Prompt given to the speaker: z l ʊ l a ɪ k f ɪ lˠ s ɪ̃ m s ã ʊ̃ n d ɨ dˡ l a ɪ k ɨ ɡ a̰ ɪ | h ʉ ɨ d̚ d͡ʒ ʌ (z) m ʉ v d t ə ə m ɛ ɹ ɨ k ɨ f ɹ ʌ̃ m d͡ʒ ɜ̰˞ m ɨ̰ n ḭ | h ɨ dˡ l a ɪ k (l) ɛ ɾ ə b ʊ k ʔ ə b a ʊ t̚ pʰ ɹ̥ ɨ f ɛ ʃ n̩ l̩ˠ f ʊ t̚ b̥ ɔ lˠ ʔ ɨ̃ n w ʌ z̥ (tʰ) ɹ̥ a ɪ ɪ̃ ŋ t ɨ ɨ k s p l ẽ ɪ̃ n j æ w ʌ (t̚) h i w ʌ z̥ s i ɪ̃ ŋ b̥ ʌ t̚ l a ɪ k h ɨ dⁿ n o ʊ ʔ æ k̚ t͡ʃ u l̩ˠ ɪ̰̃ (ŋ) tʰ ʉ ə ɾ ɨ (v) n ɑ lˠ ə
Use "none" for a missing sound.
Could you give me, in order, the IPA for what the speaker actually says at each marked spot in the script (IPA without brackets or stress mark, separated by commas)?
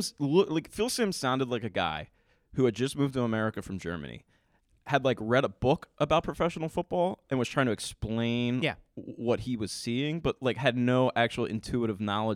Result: s, ɹ, tʰ, t̚, n, v